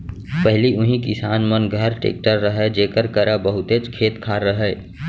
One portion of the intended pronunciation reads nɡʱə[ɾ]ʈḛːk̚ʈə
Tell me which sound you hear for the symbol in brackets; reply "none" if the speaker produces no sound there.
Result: ɾ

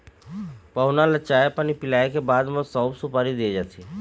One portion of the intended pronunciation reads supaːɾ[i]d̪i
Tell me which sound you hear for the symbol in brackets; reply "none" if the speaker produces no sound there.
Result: i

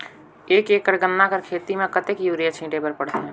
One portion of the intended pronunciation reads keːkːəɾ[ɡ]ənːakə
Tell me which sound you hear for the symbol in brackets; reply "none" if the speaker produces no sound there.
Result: ɡ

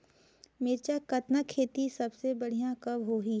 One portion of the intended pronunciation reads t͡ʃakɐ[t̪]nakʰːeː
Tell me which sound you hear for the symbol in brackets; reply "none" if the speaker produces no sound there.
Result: t̪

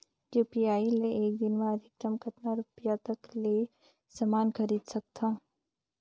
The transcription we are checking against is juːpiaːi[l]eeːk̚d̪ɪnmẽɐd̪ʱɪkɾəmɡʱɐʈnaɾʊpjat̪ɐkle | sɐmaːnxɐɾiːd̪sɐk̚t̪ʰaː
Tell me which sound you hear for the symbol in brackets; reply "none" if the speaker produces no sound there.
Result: l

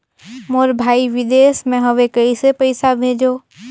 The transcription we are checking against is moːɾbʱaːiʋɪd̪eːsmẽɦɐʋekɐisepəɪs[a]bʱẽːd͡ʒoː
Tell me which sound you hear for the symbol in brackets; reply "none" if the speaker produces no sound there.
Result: a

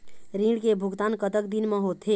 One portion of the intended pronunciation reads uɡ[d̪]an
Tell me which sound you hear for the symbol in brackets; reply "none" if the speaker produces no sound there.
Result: t̪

